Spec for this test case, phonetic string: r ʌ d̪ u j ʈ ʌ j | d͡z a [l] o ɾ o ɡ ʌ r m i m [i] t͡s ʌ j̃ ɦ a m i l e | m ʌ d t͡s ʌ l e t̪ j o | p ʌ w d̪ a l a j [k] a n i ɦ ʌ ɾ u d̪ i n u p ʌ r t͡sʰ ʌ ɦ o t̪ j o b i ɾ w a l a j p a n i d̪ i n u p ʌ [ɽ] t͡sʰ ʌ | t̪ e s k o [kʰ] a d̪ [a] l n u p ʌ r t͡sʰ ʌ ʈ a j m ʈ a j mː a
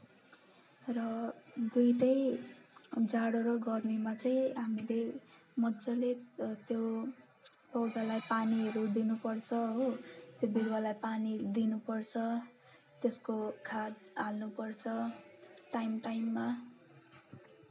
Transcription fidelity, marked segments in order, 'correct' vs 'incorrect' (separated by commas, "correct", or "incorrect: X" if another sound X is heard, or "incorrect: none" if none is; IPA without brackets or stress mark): incorrect: ɽ, incorrect: a, incorrect: p, incorrect: r, correct, correct